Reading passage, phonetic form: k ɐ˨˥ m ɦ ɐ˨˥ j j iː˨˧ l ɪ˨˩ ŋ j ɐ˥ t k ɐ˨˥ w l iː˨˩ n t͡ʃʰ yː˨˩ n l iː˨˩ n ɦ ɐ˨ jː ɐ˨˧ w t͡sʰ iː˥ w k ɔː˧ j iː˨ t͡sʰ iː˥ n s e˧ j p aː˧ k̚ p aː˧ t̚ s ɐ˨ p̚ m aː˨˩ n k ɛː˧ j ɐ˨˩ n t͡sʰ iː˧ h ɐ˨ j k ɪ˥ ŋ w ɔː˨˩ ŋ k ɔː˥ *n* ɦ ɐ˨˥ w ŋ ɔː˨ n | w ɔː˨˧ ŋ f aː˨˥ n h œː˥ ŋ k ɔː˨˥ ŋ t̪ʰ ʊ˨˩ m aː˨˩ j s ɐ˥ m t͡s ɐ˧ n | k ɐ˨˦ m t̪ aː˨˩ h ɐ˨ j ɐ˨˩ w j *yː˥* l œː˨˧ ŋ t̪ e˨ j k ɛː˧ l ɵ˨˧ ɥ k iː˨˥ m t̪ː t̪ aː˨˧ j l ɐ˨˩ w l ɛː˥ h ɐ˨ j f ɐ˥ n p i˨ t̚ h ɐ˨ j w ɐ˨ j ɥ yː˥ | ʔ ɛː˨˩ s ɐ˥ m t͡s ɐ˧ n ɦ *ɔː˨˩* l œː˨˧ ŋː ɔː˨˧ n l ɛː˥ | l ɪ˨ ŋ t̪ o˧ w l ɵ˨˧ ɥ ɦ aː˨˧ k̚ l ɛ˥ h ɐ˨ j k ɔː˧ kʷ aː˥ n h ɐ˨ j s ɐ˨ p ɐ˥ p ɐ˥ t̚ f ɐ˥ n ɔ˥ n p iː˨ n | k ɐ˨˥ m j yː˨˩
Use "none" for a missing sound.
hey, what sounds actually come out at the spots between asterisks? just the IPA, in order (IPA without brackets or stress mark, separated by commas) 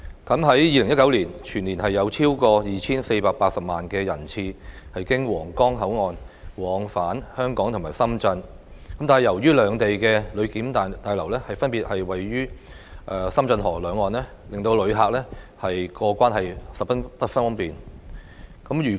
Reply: ŋ, yː˥, ɔː˨˩